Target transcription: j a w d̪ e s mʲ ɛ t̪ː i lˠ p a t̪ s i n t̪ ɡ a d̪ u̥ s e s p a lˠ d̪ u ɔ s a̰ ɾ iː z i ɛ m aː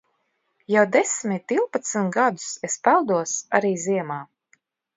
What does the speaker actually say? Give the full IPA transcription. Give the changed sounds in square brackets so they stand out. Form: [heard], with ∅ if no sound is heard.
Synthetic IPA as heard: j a w d̪ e s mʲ [i] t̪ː i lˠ p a t̪ s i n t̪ ɡ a d̪ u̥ s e s p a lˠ d̪ u ɔ s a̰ ɾ iː z i ɛ m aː